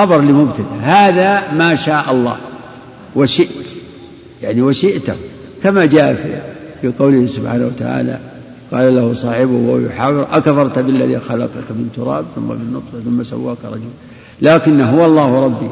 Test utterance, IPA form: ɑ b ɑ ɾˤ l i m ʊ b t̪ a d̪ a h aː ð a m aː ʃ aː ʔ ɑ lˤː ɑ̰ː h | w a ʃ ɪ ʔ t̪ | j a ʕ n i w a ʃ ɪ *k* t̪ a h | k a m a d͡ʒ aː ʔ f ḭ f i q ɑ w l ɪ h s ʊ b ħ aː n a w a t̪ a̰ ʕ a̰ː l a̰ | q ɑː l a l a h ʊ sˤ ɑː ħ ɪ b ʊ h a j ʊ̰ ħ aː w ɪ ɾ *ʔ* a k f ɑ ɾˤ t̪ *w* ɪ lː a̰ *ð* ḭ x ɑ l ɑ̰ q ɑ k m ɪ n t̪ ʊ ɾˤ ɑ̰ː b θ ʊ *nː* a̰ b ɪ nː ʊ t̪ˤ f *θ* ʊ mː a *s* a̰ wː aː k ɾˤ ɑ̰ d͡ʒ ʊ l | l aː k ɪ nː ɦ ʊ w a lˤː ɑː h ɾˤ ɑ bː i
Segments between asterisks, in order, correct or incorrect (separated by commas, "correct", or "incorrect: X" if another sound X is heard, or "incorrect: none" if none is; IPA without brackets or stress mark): incorrect: ʔ, correct, incorrect: b, correct, incorrect: mː, correct, correct